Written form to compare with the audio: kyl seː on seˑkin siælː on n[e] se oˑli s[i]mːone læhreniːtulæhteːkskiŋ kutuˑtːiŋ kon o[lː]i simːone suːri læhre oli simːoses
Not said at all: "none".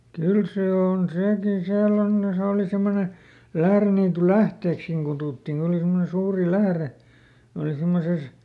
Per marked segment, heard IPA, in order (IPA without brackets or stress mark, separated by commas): e, e, l